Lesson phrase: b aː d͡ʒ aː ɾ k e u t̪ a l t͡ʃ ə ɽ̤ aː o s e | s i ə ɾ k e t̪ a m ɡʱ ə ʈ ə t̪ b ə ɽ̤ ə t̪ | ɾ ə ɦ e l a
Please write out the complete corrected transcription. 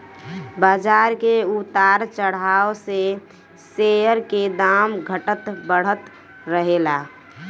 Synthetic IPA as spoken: b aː d͡ʒ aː ɾ k e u t̪ a ɾ t͡ʃ ə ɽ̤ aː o s e | s e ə ɾ k e d̪ a m ɡʱ ə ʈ ə t̪ b ə ɽ̤ ə t̪ | ɾ ə ɦ e l a